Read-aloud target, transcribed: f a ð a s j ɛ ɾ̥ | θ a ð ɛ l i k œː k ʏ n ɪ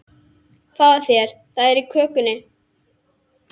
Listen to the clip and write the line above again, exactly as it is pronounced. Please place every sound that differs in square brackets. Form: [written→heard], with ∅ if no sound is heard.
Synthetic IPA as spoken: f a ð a [s→θ] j ɛ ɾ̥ | θ a ð ɛ [l→ɾ] i [k→kʰ] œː k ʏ n ɪ

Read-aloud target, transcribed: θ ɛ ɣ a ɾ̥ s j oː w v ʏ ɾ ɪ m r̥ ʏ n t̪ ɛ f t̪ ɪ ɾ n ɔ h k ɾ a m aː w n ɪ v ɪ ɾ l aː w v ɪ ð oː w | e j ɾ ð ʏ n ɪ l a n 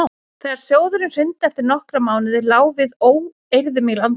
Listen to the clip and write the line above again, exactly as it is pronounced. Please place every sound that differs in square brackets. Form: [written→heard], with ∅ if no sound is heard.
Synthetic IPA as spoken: θ ɛ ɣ a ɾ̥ s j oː w [v→ð] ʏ ɾ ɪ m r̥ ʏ n t̪ ɛ f t̪ ɪ ɾ n ɔ h k ɾ a m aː w n ɪ [v→ð] ɪ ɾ l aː w v ɪ ð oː w | e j ɾ ð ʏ [n→m] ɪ l a n

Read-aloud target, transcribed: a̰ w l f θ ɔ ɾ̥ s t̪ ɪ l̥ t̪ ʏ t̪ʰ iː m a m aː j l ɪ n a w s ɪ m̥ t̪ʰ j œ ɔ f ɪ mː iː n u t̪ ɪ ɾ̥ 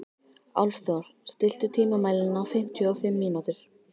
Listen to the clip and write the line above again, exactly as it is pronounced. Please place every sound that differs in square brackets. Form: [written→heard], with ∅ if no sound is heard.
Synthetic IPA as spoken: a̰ w l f θ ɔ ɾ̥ s t̪ ɪ l̥ t̪ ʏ t̪ʰ iː m a m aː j l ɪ n a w [s→f] ɪ m̥ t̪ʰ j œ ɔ f ɪ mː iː n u t̪ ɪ ɾ̥

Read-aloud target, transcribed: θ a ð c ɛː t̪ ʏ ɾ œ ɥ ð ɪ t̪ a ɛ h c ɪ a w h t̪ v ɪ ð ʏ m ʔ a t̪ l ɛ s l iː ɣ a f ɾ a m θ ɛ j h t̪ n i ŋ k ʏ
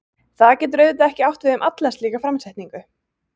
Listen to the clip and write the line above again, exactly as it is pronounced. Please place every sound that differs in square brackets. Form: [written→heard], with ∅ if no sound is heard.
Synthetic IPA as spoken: θ a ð c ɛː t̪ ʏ ɾ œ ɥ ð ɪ t̪ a ɛ h c ɪ a w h t̪ v ɪ ð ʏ m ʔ a t̪ l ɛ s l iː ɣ a f ɾ a m [θ→s] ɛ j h t̪ n i ŋ k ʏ

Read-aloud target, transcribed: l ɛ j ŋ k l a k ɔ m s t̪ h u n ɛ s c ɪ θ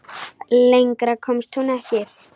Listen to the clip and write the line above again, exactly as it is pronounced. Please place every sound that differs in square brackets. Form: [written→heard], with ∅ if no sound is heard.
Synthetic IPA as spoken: l [ɛ→e] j ŋ k [l→ɾ] a [k→kʰ] ɔ m s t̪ h u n ɛ [s→h] c ɪ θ

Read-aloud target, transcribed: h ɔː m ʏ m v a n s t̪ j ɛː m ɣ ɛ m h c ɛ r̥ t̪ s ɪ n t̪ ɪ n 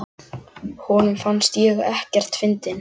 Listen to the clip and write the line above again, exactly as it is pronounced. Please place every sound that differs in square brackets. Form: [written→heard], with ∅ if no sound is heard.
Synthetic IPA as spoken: h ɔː [m→n] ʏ m [v→f] a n s t̪ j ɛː [m→∅] ɣ ɛ [m→∅] h c ɛ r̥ t̪ [s→f] ɪ n t̪ ɪ n

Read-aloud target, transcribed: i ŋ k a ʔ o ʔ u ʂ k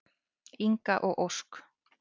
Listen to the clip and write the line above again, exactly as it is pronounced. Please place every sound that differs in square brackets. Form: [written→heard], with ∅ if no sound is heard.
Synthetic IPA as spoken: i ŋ k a ʔ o ʔ [u→o] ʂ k

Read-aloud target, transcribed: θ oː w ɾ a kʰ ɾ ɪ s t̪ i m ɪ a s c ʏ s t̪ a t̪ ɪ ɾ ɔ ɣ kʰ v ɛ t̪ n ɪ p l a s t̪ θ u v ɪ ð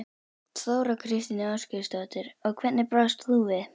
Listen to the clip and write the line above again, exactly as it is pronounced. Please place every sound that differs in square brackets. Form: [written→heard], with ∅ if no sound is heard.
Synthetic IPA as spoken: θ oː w ɾ a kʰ ɾ ɪ s t̪ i [m→n] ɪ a s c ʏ s t̪ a t̪ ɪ ɾ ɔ ɣ kʰ v ɛ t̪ n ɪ p [l→ɾ] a s t̪ θ u v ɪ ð

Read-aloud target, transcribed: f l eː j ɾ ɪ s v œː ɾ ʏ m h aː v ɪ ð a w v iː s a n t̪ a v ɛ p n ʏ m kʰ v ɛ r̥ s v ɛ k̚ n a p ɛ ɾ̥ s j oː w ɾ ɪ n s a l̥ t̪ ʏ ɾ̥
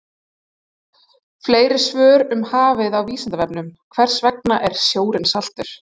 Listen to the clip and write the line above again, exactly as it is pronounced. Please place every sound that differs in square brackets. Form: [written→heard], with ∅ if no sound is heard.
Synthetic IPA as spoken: f l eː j ɾ ɪ s v œː ɾ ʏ m h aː v ɪ ð a w v iː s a n t̪ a v ɛ p n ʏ m kʰ v ɛ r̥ s v ɛ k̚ n a [p→ʔ] ɛ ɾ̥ s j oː w ɾ ɪ n s a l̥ t̪ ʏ ɾ̥

